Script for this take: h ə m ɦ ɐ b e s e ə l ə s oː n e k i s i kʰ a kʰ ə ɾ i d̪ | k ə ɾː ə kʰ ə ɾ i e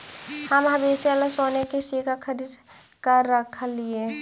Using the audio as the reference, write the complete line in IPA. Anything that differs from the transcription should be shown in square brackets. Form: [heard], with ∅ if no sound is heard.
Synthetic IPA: h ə m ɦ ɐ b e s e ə l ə s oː n e k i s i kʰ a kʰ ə ɾ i d̪ | k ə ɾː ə kʰ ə [l] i e